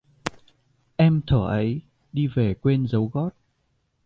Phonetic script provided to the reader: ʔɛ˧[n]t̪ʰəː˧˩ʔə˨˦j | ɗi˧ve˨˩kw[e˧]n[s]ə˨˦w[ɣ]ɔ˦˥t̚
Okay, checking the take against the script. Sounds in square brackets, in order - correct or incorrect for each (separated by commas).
incorrect, correct, incorrect, correct